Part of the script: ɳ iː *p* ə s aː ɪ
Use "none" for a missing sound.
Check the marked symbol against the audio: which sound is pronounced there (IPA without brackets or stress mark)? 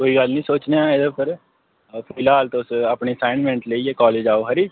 none